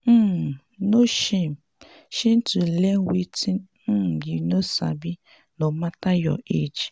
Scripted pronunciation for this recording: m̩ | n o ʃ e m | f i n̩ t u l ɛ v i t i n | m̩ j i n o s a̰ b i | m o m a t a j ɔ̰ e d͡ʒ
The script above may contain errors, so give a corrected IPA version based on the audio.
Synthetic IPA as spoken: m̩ | n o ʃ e m | ʃ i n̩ t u l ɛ w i t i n | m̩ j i n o s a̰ b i | n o m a t a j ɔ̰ e d͡ʒ